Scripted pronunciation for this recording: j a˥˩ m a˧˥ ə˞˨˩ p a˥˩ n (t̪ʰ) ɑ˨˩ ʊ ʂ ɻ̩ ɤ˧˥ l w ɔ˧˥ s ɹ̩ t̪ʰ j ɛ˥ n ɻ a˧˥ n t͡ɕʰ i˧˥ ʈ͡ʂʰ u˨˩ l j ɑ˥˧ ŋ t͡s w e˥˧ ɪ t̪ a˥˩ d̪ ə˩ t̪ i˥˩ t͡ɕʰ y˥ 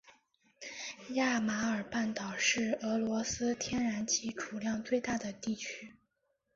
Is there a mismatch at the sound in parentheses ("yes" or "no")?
yes